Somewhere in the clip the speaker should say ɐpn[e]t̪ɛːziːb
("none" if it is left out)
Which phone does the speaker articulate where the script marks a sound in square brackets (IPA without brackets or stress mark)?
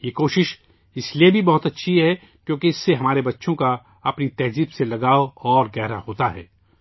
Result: i